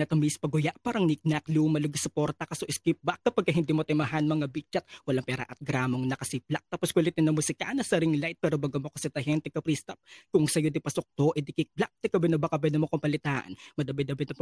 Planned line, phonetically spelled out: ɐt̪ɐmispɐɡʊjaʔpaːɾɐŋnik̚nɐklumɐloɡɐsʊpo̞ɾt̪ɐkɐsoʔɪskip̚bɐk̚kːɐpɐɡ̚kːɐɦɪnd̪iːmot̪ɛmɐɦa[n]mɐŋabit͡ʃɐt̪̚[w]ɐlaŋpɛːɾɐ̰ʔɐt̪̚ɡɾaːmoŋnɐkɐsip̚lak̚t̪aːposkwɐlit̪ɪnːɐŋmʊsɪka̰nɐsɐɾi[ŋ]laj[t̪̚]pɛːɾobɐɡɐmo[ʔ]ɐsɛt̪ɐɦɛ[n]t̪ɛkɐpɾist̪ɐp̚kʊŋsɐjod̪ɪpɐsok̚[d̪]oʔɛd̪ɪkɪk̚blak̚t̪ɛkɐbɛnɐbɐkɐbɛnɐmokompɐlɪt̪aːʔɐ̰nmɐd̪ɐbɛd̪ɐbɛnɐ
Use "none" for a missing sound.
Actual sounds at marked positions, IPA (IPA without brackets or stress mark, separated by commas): n, w, ŋ, t̪̚, k, n, t̪